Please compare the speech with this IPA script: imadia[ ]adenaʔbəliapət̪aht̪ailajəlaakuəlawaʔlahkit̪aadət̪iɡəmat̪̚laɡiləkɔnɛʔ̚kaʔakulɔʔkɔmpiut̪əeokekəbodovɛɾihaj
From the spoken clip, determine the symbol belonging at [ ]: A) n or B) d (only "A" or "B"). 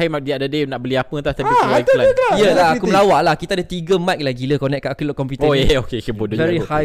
B